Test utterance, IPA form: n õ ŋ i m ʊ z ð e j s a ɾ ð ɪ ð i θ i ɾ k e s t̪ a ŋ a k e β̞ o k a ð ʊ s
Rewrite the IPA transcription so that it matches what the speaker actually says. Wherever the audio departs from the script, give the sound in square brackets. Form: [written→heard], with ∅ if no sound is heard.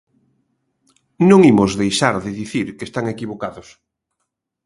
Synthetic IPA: n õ ŋ i m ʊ z ð e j [s→ʃ] a ɾ ð ɪ ð i θ i ɾ k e s t̪ a ŋ [a→e] k [e→i] β̞ o k a ð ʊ s